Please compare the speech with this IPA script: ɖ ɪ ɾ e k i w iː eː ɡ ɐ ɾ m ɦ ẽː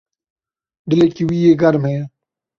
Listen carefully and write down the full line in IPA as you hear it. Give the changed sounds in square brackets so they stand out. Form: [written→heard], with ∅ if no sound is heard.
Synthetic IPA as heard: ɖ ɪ [ɾ→l] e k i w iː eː ɡ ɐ ɾ m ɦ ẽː

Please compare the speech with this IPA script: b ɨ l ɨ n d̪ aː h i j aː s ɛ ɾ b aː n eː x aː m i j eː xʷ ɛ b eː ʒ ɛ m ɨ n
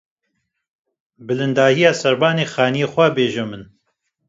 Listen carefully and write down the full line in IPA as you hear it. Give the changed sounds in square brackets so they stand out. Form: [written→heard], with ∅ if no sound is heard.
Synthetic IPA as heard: b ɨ l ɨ n d̪ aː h i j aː s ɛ ɾ b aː n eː x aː [m→n] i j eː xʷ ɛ b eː ʒ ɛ m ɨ n

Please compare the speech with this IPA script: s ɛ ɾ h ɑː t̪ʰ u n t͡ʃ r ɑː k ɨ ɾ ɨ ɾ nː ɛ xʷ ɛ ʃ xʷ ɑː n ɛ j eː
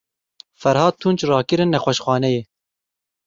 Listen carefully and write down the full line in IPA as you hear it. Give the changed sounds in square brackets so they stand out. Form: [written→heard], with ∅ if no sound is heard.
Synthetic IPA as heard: [s→f] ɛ ɾ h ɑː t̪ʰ u n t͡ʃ r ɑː k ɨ ɾ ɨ [ɾ→∅] nː ɛ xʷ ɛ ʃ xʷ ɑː n ɛ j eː

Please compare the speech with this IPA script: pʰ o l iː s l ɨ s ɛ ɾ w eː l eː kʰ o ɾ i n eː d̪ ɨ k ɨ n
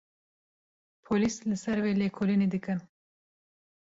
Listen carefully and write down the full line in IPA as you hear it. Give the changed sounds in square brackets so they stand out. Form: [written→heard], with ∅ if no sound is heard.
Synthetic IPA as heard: pʰ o l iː s l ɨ s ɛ ɾ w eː l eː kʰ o [ɾ→l] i n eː d̪ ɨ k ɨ n

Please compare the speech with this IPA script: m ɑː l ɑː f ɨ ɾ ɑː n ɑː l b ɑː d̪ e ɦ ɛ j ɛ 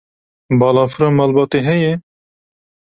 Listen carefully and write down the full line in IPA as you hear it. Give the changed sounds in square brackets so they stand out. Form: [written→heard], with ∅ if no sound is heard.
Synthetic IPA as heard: [m→b] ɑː l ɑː f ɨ ɾ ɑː [n→m] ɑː l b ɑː [d̪→t̪] e ɦ ɛ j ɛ

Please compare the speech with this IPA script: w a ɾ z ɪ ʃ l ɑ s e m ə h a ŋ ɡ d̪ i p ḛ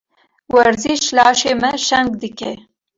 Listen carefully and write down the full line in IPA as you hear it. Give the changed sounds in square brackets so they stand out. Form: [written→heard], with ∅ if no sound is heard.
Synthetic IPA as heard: w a ɾ z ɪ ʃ l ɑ [s→ʃ] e m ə [h→ʃ] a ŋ ɡ d̪ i [p→k] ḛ

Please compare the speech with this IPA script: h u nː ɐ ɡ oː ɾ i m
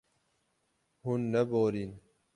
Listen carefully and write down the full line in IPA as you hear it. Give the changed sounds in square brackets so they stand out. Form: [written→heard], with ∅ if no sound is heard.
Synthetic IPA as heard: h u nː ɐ [ɡ→b] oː ɾ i [m→n]

